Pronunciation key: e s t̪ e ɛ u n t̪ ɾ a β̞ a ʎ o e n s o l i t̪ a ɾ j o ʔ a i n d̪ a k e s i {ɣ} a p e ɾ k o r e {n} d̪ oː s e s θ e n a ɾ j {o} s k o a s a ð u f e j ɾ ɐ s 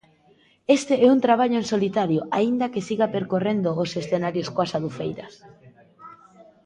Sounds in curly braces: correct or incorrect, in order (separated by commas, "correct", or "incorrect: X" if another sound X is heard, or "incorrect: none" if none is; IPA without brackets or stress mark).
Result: correct, correct, correct